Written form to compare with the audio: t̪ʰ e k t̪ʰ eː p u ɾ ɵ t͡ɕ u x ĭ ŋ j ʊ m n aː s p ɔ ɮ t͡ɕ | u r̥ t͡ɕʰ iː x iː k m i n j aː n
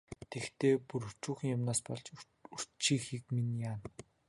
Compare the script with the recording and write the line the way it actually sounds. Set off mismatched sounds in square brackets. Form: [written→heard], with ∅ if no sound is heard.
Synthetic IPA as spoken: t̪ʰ e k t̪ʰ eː p u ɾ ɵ t͡ɕ [u→uː] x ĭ ŋ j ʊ m n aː s p ɔ ɮ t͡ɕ | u r̥ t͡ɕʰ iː x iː k m i n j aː n